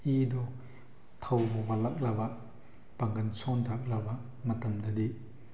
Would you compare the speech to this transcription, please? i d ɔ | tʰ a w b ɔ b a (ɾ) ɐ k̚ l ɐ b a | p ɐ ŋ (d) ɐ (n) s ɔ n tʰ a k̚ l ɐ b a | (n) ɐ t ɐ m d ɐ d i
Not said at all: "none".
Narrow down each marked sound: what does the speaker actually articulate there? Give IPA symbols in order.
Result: l, ɡ, n, m

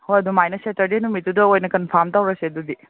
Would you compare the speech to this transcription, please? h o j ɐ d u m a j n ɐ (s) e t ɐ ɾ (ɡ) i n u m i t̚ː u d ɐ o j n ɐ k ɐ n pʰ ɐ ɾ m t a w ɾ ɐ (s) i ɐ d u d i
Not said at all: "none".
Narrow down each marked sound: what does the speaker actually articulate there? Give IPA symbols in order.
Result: s, d, s

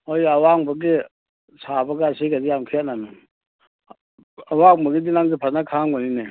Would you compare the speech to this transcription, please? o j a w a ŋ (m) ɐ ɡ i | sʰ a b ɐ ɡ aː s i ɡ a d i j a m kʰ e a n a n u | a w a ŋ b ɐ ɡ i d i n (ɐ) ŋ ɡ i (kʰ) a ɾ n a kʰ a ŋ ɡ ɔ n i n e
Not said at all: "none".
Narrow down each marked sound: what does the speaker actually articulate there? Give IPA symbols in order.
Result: b, a, pʰ

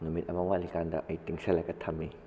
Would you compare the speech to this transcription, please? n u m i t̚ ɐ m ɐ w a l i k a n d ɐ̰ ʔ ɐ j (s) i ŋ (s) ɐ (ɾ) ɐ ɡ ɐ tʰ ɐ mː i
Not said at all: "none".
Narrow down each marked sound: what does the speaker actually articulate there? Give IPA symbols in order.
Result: t, s, l

